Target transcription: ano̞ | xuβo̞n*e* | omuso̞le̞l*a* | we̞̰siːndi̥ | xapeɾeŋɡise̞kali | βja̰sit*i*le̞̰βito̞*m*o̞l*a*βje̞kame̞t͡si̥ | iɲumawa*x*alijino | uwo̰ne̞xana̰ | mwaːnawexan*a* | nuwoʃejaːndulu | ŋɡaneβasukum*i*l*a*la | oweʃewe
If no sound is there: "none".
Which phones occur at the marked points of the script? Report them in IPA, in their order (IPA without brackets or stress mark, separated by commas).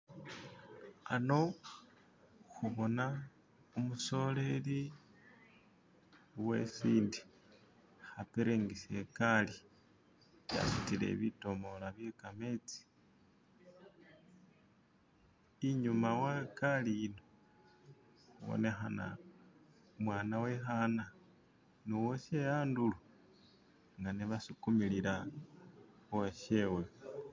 a, i, i, m, a, k, a, i, i